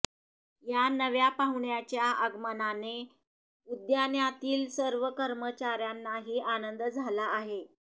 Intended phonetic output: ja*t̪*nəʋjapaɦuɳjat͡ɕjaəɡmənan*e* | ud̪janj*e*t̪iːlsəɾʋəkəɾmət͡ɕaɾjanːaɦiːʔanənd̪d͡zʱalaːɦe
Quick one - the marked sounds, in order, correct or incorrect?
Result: incorrect: none, correct, incorrect: a

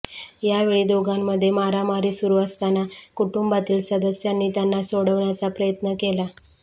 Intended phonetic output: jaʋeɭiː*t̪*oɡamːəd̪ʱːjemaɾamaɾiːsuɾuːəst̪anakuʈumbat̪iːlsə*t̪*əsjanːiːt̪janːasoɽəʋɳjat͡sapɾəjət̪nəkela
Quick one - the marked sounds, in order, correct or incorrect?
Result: incorrect: d̪, incorrect: d̪

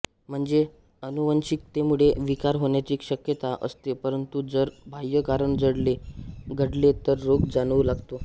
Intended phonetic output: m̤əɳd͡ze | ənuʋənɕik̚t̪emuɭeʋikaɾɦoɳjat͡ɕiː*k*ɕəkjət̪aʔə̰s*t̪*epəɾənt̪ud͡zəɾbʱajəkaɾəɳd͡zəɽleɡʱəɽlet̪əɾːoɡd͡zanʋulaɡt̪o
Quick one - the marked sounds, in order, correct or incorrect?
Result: correct, correct

